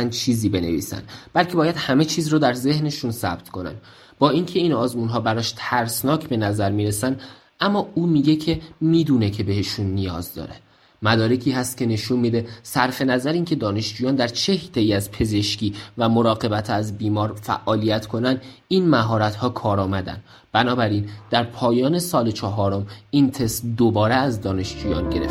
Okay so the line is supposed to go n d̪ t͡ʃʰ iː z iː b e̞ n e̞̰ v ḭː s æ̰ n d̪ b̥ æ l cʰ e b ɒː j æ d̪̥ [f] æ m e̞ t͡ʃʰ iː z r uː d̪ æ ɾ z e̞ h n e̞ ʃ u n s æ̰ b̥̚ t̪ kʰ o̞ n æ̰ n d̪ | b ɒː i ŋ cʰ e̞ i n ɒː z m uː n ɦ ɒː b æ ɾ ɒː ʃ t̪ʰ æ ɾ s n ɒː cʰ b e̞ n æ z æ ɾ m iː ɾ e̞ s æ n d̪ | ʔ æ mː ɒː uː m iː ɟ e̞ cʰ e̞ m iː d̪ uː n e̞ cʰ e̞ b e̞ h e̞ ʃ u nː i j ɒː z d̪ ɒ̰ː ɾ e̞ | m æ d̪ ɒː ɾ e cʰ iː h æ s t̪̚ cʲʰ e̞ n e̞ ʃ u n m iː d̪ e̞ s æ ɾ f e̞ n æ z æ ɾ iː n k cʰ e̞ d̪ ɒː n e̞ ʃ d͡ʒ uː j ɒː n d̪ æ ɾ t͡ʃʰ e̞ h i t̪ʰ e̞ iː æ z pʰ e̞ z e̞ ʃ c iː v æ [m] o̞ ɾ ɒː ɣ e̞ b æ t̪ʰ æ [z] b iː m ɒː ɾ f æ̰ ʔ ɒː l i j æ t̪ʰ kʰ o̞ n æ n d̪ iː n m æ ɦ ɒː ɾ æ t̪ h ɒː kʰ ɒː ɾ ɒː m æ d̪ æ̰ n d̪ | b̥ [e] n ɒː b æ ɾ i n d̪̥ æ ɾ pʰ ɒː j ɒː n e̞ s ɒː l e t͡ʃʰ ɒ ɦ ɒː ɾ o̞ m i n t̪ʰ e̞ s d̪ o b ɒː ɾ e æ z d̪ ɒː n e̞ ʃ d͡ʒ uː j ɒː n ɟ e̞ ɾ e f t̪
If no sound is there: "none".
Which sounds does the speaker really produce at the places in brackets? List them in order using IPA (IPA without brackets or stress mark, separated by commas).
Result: h, m, z, æ